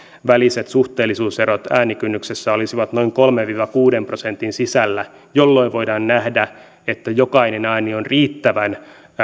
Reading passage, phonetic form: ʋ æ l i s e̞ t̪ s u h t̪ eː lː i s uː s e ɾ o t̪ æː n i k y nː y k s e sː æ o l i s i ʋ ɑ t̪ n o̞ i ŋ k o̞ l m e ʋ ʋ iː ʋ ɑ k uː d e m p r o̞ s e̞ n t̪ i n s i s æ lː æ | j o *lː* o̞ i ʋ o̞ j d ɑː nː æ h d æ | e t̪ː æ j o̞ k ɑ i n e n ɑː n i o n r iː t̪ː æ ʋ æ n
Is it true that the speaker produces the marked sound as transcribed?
yes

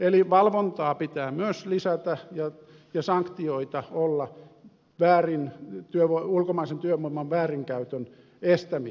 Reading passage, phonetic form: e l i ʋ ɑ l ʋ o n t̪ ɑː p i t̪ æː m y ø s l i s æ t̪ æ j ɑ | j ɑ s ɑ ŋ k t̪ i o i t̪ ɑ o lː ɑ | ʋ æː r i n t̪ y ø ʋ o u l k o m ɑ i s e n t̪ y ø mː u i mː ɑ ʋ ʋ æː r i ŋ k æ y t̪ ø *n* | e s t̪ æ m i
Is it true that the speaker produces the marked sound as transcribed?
yes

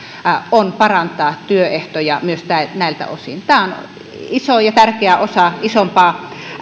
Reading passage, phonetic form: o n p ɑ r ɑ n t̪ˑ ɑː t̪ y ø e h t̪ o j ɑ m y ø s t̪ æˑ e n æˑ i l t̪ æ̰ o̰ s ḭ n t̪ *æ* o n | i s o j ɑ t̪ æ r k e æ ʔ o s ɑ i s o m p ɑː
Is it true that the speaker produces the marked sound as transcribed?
no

